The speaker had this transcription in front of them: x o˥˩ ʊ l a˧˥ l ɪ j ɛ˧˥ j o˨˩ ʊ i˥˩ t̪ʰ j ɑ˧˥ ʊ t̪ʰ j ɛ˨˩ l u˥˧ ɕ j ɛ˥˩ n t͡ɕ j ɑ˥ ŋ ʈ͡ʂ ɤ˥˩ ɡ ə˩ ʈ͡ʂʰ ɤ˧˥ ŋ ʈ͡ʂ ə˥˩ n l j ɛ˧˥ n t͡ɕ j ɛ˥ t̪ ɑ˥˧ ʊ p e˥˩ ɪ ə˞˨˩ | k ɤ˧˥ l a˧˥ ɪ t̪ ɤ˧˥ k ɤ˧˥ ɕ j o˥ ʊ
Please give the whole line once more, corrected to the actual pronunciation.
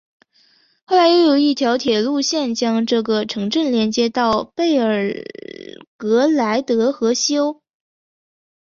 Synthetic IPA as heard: x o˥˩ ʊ l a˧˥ ɪ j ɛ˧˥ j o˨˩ ʊ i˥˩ t̪ʰ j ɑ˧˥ ʊ t̪ʰ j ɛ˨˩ l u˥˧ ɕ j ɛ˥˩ n t͡ɕ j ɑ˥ ŋ ʈ͡ʂ ɤ˥˩ ɡ ə˩ ʈ͡ʂʰ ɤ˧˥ ŋ ʈ͡ʂ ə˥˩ n l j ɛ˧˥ n t͡ɕ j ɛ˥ t̪ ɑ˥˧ ʊ p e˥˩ ɪ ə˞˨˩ | k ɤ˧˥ l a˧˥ ɪ t̪ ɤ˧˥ x ɤ˧˥ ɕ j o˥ ʊ

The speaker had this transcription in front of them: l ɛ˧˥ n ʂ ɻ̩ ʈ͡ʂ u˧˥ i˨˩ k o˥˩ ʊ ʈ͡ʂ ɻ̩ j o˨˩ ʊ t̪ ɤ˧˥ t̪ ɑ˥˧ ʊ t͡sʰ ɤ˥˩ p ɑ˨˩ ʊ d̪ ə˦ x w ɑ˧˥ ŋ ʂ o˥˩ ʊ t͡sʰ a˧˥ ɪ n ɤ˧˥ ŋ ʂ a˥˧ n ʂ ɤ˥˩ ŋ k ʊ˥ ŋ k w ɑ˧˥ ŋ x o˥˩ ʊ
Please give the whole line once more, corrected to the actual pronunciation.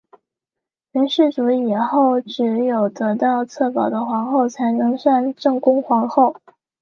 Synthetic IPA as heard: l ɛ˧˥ n ʂ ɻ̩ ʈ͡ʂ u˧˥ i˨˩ x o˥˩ ʊ ʈ͡ʂ ɻ̩ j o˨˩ ʊ t̪ ɤ˧˥ t̪ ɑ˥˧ ʊ t͡sʰ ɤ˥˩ p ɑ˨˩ ʊ d̪ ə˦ x w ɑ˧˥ ŋ x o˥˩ ʊ t͡sʰ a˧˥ ɪ n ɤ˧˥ ŋ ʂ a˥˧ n ʈ͡ʂ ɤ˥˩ ŋ k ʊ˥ ŋ x w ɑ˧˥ ŋ x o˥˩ ʊ

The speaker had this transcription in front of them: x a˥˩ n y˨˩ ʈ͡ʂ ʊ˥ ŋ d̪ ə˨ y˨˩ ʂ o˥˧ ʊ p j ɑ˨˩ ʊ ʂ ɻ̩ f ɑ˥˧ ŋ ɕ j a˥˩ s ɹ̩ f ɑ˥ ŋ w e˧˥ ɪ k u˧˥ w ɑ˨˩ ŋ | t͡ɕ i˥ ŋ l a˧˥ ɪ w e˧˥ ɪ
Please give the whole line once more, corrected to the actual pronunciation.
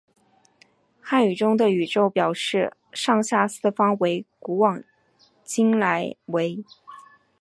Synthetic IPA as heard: x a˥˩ n y˨˩ ʈ͡ʂ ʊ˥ ŋ d̪ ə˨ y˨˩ ʈ͡ʂ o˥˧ ʊ p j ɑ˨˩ ʊ ʂ ɻ̩ ʂ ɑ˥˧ ŋ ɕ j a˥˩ s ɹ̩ f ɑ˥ ŋ w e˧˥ ɪ k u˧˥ w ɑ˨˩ ŋ | t͡ɕ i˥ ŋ l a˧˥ ɪ w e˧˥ ɪ

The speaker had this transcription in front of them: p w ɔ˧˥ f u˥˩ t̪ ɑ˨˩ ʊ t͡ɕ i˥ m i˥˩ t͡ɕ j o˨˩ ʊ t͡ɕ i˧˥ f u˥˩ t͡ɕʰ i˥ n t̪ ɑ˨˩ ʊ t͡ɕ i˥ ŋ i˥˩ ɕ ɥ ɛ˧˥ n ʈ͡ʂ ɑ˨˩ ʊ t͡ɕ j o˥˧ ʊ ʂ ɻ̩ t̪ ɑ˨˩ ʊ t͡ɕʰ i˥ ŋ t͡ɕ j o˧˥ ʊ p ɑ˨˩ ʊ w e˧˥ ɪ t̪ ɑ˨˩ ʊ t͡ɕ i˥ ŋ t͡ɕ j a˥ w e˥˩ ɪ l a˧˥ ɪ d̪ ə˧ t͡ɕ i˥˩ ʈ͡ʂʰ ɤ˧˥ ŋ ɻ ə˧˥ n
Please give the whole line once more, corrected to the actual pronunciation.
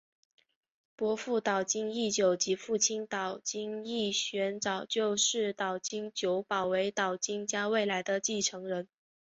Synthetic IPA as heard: p w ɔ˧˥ f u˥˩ t̪ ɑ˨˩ ʊ t͡ɕ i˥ ŋ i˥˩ t͡ɕ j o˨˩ ʊ t͡ɕ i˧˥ f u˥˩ t͡ɕʰ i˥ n t̪ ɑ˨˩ ʊ t͡ɕ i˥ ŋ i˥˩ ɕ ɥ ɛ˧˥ n ʈ͡ʂ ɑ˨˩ ʊ t͡ɕ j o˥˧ ʊ ʂ ɻ̩ t̪ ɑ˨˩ ʊ t͡ɕ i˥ ŋ t͡ɕ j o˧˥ ʊ p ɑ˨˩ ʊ w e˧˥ ɪ t̪ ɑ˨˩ ʊ t͡ɕ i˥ ŋ t͡ɕ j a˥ w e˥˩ ɪ l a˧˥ ɪ d̪ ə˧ t͡ɕ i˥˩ ʈ͡ʂʰ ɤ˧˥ ŋ ɻ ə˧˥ n

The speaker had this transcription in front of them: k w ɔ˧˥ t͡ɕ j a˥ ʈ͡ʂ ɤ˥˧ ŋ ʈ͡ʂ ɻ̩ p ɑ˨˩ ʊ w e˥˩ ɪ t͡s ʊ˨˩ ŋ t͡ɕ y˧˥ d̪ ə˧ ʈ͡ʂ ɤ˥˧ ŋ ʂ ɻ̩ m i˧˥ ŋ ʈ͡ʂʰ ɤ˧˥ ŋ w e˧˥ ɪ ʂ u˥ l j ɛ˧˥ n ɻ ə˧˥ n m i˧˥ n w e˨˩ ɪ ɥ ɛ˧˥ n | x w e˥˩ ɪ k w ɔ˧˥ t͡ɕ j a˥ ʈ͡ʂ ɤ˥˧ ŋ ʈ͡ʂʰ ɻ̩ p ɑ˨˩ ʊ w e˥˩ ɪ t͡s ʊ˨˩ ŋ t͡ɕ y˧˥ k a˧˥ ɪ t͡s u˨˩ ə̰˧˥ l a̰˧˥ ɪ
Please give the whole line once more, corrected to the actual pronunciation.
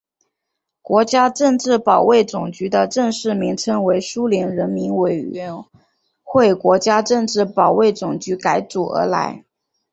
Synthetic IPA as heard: k w ɔ˧˥ t͡ɕ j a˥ ʈ͡ʂ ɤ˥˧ ŋ ʈ͡ʂ ɻ̩ p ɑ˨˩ ʊ w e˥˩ ɪ t͡s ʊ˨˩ ŋ t͡ɕ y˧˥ d̪ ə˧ ʈ͡ʂ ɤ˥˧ ŋ ʂ ɻ̩ m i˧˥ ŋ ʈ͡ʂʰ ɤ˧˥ ŋ w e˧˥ ɪ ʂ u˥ l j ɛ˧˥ n ɻ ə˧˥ n m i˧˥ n w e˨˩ ɪ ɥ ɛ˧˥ n | x w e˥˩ ɪ k w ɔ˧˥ t͡ɕ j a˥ ʈ͡ʂ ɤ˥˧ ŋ ʈ͡ʂ ɻ̩ p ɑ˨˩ ʊ w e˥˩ ɪ t͡s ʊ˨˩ ŋ t͡ɕ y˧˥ k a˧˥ ɪ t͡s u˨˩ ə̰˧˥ l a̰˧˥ ɪ

